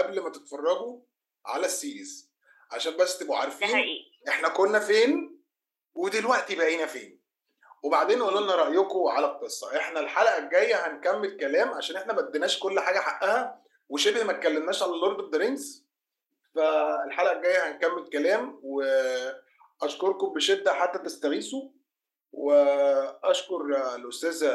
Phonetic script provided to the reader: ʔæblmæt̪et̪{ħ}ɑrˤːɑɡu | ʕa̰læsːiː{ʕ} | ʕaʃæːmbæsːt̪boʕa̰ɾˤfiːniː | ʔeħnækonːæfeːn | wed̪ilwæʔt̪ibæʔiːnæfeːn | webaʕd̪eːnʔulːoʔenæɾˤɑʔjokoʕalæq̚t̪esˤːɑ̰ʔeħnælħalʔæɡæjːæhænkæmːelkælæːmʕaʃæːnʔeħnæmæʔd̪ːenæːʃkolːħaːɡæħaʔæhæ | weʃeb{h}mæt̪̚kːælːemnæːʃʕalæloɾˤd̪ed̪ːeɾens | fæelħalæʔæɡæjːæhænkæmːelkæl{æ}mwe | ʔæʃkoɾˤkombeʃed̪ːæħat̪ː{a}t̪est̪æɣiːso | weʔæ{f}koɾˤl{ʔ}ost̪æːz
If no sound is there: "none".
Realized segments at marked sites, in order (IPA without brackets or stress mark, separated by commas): f, z, h, æː, æ, ʃ, ʔ